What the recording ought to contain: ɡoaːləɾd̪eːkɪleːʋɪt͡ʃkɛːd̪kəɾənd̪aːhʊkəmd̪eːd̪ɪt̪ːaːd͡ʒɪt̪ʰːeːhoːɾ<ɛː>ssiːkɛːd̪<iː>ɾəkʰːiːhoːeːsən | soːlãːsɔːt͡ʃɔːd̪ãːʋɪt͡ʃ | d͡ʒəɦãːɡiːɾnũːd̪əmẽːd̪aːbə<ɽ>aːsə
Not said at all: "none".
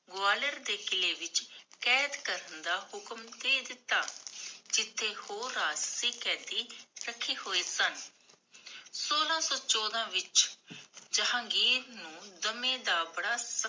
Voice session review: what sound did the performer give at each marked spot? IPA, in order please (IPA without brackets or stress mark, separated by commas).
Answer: aː, iː, ɽ